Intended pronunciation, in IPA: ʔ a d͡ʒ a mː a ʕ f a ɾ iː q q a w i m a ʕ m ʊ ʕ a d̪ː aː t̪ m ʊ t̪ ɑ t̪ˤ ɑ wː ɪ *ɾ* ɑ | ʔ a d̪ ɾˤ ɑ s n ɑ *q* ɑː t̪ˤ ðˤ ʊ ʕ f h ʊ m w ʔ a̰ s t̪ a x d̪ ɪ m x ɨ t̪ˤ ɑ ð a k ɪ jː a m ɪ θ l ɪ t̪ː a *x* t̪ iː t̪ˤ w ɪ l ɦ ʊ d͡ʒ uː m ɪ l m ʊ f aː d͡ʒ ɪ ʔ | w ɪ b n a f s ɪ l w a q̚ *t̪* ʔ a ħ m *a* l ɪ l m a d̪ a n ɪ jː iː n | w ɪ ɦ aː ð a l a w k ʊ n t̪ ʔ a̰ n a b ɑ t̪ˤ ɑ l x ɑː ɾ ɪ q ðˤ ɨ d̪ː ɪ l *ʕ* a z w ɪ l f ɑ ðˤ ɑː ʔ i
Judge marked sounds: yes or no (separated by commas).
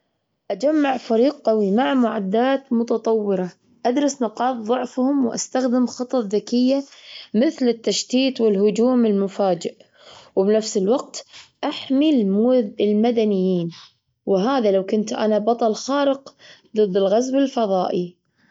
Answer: yes, yes, no, yes, no, no